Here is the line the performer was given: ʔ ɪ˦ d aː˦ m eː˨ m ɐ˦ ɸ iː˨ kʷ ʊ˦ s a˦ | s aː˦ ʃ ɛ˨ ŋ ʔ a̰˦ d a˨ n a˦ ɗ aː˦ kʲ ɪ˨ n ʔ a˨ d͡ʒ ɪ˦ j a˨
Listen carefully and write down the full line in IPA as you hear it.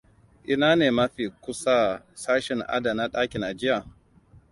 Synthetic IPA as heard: ʔ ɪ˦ n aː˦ n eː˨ m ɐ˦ ɸ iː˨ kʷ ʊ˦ s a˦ | s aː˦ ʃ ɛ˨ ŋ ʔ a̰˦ d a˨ n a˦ ɗ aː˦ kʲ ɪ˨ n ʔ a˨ d͡ʒ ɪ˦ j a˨